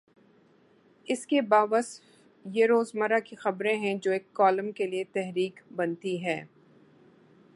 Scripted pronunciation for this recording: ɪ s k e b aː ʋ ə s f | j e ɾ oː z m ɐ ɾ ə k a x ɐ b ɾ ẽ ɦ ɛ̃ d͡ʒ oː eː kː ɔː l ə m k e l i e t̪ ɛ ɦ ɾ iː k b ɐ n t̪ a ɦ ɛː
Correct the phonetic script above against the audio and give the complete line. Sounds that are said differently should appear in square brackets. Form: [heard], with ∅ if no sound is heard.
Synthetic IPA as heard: ɪ s k e b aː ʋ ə s f | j e ɾ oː z m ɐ ɾ [a] k [i] x ɐ b ɾ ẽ ɦ ɛ̃ d͡ʒ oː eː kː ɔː l ə m k e l i e t̪ ɛ ɦ ɾ iː k b ɐ n t̪ [i] ɦ ɛː